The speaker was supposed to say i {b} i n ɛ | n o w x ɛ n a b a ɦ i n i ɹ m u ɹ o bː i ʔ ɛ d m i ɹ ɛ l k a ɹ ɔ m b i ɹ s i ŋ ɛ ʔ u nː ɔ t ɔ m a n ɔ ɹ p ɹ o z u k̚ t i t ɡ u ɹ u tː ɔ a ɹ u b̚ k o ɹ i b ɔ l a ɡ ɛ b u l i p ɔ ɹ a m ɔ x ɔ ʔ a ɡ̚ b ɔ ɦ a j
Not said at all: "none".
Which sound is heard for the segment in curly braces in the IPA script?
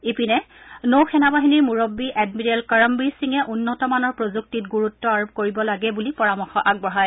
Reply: p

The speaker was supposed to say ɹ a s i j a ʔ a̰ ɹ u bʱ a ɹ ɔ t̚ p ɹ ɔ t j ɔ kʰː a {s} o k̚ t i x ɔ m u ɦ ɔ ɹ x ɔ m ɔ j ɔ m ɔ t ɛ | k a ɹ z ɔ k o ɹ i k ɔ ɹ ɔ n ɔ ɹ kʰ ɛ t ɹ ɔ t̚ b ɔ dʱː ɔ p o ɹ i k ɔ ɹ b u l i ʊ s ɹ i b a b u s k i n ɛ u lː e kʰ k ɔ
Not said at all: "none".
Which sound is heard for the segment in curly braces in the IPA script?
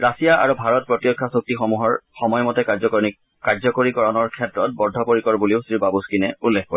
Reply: s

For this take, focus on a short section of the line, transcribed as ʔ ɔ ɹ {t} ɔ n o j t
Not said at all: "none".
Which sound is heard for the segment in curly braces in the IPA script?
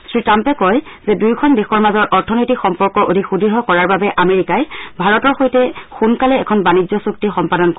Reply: tʰ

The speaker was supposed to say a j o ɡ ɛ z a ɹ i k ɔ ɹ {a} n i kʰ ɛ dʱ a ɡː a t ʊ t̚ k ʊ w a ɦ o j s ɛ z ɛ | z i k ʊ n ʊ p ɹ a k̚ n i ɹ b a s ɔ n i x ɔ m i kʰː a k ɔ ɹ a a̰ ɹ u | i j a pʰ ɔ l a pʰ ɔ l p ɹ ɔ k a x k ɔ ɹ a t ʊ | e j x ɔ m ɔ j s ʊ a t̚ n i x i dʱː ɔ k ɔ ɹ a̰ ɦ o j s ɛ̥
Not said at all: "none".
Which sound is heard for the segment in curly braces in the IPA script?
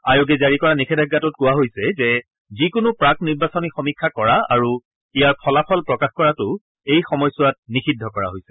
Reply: a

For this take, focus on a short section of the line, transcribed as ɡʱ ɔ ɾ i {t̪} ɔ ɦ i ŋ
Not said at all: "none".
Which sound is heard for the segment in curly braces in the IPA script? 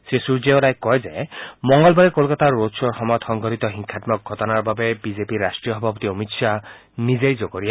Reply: t̪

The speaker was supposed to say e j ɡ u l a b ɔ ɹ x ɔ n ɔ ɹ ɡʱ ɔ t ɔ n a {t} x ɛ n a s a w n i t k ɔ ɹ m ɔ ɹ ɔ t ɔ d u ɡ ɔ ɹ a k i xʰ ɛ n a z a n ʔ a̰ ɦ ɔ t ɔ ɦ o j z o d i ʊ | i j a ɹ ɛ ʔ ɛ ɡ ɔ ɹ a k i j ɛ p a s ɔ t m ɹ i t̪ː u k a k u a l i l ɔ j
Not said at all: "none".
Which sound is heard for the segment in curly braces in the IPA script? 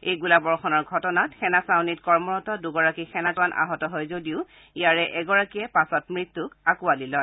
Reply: t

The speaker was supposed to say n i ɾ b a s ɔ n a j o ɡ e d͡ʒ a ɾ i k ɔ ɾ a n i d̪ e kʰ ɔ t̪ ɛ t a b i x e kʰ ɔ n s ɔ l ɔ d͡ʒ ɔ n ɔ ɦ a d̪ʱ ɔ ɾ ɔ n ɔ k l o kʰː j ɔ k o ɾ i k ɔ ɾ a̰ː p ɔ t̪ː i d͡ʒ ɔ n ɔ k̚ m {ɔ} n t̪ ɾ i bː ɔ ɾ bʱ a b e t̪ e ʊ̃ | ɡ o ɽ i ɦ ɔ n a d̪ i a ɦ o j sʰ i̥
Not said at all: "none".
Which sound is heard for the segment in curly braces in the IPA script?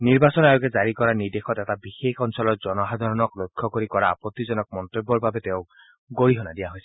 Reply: ɔ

